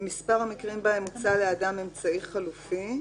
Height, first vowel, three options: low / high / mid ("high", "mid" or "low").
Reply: high